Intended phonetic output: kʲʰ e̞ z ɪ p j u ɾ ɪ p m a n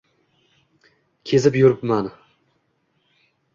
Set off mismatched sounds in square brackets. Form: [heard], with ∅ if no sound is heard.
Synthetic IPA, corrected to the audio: kʲʰ e̞ z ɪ p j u ɾ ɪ p m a n